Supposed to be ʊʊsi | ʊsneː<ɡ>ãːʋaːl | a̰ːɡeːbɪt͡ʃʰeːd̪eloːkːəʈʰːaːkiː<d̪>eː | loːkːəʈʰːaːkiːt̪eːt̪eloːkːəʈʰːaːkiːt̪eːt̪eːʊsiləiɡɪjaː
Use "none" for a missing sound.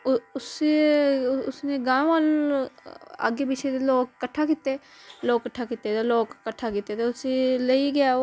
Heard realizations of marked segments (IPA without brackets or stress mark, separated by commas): ɡ, t̪